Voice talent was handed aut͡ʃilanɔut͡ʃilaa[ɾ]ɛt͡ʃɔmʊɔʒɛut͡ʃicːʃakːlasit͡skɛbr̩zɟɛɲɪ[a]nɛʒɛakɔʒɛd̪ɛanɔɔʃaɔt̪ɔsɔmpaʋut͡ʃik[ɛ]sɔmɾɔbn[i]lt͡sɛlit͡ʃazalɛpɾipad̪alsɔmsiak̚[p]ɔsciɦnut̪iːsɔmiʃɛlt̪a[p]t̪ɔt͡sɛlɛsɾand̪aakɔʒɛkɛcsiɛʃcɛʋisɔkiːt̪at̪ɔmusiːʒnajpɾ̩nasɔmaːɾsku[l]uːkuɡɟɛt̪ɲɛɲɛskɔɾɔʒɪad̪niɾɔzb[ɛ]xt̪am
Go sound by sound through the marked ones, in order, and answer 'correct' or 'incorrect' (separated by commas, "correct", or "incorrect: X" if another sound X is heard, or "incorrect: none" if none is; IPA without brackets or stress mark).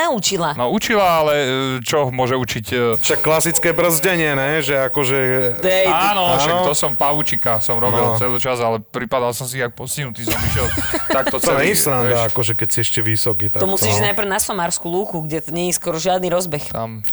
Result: incorrect: l, incorrect: ɛ, incorrect: a, correct, correct, incorrect: k, correct, correct